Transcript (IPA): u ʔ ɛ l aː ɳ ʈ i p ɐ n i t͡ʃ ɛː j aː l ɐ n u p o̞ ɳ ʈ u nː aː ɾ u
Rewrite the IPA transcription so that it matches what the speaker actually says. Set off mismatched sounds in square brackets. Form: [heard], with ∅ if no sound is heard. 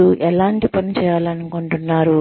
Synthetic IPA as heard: u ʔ ɛ l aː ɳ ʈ i p ɐ n i t͡ʃ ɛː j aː l ɐ n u [k] o̞ ɳ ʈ u nː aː ɾ u